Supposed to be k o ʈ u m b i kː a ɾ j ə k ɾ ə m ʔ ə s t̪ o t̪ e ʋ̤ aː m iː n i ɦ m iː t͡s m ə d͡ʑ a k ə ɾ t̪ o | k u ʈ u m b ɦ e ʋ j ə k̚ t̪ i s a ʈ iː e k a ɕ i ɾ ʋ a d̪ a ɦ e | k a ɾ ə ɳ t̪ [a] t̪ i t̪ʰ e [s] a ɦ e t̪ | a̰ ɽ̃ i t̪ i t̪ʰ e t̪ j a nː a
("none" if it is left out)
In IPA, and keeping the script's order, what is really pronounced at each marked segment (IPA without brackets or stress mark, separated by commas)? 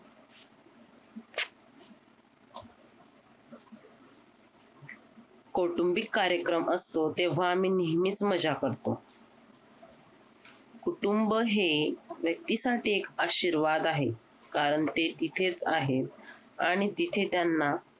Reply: e, t͡s